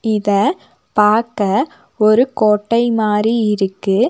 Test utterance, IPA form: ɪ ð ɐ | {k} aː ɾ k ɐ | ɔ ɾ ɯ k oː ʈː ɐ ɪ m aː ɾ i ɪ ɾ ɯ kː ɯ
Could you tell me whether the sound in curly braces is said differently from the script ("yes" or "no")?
yes